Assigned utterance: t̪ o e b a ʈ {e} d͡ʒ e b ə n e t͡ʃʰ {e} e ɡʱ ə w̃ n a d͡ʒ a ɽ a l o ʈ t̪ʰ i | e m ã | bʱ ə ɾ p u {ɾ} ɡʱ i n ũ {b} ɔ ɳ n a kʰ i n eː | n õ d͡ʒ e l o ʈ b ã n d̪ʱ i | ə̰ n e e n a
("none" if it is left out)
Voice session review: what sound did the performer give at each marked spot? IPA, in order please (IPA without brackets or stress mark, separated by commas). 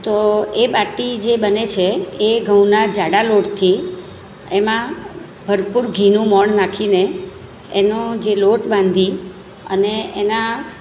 i, e, ɾ, m